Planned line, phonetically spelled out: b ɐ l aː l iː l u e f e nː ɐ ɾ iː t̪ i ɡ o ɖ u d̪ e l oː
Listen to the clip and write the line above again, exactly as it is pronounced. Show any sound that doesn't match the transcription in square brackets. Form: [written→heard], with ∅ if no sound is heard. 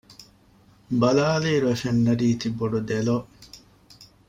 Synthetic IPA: b ɐ l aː l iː [l→ɾ] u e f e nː ɐ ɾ iː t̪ i [ɡ→b] o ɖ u d̪ e l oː